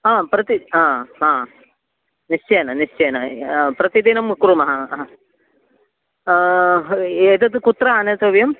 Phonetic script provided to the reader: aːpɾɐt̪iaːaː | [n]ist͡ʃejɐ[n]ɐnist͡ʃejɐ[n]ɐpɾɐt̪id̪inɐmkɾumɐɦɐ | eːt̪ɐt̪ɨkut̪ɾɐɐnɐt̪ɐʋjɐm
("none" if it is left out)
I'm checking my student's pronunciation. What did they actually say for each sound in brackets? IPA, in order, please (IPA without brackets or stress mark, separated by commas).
n, n, n